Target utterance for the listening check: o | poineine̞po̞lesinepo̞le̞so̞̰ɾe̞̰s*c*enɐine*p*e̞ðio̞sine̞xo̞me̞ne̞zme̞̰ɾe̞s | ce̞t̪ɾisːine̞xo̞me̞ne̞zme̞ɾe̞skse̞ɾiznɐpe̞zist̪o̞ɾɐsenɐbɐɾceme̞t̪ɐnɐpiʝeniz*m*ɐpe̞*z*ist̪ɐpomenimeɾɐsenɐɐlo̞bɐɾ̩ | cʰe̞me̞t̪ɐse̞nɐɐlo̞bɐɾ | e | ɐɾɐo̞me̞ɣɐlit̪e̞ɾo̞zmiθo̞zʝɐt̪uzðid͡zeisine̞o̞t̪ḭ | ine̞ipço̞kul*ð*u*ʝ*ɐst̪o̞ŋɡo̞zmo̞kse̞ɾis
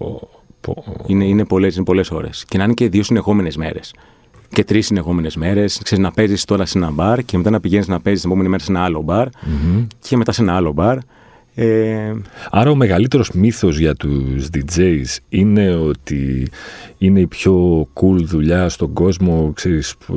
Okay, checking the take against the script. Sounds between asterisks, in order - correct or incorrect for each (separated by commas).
correct, incorrect, incorrect, correct, correct, incorrect